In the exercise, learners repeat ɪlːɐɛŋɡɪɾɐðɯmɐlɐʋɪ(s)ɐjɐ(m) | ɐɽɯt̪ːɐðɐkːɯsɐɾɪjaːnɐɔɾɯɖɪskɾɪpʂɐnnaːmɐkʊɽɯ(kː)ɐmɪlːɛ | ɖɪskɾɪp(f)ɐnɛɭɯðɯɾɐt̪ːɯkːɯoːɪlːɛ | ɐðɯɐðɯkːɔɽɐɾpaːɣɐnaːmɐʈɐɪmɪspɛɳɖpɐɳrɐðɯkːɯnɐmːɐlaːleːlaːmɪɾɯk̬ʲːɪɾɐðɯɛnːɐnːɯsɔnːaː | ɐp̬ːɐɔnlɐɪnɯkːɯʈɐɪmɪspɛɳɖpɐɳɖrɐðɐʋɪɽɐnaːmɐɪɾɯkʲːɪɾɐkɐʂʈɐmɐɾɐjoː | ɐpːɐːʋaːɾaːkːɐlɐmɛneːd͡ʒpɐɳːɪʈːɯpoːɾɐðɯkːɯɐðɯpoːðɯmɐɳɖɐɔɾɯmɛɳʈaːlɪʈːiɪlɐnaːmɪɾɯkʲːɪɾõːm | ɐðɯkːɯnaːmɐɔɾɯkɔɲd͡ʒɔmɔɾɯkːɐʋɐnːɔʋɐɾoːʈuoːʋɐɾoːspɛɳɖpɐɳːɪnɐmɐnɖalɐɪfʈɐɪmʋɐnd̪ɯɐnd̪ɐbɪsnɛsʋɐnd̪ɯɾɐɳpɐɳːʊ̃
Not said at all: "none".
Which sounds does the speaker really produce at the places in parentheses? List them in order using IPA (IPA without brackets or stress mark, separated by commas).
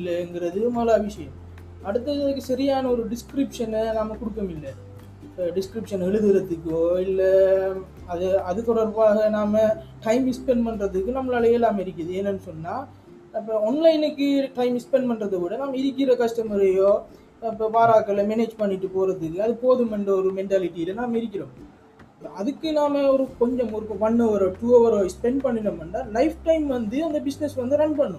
ʂ, m, kː, ʂ